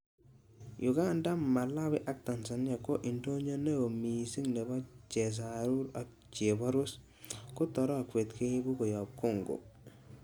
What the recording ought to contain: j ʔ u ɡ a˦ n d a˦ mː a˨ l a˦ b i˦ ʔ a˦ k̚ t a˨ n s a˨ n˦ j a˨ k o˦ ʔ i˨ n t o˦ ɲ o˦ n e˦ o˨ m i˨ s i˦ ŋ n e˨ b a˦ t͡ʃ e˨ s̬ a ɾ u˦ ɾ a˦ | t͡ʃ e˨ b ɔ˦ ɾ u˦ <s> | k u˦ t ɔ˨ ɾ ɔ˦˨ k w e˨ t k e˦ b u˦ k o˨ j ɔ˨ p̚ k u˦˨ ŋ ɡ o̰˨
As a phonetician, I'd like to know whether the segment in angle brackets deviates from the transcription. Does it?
no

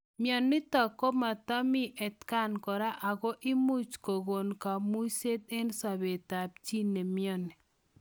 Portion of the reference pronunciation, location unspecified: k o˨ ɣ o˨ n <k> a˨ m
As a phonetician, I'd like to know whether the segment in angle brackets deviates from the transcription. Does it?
no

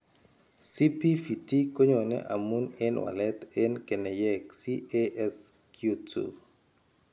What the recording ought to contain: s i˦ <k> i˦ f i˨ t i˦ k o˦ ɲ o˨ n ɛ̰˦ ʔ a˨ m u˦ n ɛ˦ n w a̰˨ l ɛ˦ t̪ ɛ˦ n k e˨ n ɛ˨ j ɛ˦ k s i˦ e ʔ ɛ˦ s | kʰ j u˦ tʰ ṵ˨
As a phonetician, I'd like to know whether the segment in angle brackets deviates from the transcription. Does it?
yes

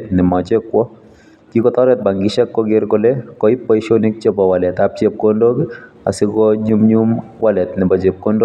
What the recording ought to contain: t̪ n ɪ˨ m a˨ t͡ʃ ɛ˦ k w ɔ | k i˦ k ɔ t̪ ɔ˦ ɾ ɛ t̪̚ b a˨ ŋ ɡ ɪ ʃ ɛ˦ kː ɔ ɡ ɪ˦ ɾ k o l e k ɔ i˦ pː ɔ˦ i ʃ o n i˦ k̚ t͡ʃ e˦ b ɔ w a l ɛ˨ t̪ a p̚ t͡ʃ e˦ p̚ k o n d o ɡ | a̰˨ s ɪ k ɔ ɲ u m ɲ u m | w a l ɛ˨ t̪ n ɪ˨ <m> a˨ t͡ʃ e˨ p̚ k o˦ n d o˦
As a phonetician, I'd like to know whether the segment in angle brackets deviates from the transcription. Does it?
yes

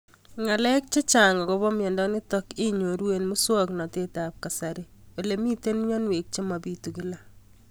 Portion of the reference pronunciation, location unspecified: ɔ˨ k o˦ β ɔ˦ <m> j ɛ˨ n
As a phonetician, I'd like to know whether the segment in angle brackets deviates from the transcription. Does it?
no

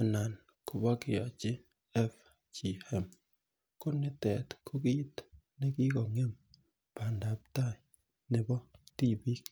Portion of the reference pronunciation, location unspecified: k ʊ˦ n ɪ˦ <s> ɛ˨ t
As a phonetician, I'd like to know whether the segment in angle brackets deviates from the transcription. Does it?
yes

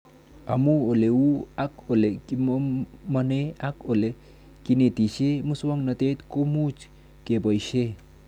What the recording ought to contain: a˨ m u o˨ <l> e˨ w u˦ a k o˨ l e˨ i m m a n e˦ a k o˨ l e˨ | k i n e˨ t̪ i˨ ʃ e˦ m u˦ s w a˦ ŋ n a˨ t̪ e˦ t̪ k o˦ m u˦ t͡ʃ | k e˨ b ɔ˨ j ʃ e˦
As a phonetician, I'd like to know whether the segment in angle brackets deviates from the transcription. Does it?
no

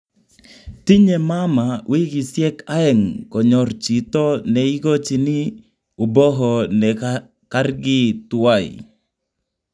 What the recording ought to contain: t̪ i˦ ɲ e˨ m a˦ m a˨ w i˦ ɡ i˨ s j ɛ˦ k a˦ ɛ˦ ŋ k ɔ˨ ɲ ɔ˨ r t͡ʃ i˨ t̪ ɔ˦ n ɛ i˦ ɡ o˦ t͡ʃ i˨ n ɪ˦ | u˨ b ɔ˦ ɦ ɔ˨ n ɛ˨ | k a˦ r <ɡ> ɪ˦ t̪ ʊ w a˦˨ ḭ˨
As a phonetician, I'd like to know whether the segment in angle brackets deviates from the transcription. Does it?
no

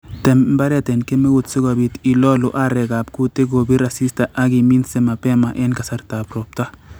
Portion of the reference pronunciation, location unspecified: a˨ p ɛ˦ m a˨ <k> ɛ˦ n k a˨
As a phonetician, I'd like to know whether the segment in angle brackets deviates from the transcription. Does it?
yes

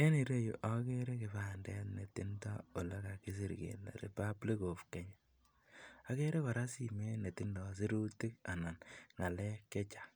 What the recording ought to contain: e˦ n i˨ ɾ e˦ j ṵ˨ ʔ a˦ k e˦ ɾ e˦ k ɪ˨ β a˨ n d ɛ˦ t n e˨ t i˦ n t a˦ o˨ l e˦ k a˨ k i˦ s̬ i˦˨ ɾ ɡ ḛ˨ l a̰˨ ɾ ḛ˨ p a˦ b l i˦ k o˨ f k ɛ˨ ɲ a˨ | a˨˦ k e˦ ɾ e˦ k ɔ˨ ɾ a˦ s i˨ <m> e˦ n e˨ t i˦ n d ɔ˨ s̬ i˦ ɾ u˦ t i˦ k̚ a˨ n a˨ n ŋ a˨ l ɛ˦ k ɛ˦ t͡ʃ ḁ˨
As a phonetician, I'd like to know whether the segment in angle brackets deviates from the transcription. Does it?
no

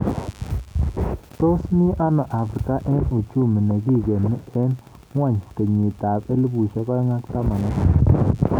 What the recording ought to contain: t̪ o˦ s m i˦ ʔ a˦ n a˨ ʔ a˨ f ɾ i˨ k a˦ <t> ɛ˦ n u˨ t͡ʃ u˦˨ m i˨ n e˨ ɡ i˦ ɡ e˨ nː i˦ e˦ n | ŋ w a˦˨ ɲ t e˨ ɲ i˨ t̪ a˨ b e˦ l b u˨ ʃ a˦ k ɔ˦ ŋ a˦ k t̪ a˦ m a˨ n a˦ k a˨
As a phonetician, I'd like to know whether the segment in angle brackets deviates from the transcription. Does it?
yes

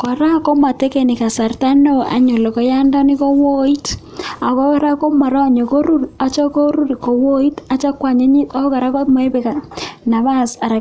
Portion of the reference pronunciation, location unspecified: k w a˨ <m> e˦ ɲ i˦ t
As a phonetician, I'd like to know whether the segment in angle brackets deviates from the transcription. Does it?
yes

